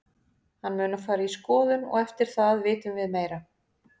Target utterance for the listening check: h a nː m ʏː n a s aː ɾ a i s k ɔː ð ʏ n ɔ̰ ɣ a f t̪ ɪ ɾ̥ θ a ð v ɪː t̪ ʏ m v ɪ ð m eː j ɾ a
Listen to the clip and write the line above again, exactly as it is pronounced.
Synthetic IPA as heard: h a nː m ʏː n a f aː ɾ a i s k ɔː ð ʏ n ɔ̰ ɣ ɛ f t̪ ɪ ɾ̥ θ a ð v ɪː t̪ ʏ m v ɪ ð m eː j ɾ a